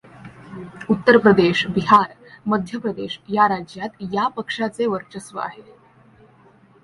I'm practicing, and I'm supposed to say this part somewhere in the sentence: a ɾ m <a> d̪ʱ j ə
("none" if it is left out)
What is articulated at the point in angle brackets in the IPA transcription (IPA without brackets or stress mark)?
ə